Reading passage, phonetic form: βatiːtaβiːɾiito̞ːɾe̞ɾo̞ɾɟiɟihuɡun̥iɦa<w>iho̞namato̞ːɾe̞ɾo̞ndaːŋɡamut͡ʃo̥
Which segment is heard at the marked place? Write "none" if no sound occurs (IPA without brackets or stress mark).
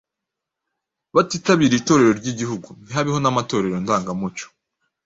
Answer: β